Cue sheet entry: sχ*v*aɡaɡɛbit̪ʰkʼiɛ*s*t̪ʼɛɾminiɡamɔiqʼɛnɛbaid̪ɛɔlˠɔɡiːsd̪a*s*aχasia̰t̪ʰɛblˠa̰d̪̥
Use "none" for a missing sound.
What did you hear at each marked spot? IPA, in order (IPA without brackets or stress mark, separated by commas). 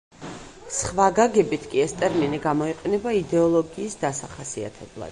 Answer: v, s, s